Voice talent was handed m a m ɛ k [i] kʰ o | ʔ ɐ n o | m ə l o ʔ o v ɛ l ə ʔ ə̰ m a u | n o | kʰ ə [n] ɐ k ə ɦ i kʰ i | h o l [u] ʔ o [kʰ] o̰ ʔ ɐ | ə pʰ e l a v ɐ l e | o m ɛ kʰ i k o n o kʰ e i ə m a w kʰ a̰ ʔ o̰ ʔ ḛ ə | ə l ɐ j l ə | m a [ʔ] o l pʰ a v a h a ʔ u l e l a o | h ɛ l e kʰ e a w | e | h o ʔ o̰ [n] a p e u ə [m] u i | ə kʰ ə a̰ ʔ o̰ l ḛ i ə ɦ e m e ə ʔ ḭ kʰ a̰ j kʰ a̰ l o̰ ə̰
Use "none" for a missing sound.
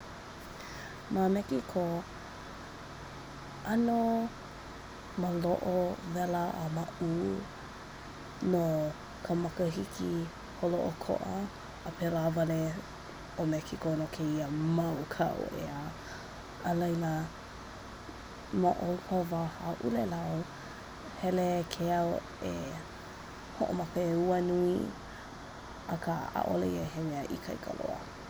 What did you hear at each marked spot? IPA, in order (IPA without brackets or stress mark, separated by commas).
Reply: i, m, o, kʰ, ʔ, m, n